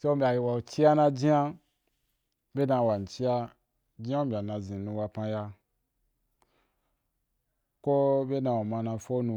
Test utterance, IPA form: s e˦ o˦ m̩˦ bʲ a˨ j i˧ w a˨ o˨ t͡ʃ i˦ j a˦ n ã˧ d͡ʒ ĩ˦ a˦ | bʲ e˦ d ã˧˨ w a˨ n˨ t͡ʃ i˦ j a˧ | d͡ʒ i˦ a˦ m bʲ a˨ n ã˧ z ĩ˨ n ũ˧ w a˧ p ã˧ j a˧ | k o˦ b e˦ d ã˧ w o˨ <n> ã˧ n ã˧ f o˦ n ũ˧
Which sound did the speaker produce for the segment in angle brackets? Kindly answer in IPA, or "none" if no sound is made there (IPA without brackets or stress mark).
m